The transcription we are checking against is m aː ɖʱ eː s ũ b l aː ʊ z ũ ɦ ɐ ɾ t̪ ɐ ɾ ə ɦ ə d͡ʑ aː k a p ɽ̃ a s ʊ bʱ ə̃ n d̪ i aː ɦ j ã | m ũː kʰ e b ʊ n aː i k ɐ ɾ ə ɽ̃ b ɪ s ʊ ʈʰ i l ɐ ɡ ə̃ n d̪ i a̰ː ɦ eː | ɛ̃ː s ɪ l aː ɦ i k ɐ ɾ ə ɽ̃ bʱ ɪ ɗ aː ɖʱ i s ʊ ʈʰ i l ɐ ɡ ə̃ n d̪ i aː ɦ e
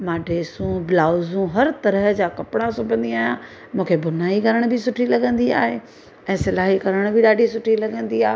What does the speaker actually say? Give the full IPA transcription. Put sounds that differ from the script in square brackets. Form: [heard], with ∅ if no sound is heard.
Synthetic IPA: m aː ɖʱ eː s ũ b l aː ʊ z ũ ɦ ɐ ɾ t̪ ɐ ɾ ə ɦ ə d͡ʑ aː k [ɐ] p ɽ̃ a s ʊ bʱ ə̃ n d̪ i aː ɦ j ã | m ũː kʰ e b ʊ n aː i k ɐ ɾ ə ɽ̃ b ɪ s ʊ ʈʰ i l ɐ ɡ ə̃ n d̪ i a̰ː ɦ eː | ɛ̃ː s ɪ l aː ɦ i k ɐ ɾ ə ɽ̃ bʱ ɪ ɗ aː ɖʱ i s ʊ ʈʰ i l ɐ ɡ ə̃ n d̪ i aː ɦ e